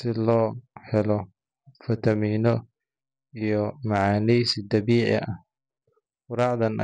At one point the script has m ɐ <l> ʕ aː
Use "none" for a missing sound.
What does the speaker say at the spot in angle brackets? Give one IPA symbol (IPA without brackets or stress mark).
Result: none